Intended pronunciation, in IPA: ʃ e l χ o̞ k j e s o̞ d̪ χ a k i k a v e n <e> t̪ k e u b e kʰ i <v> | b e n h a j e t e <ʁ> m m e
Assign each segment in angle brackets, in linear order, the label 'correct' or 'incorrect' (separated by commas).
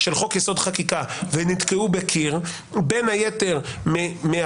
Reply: incorrect, incorrect, correct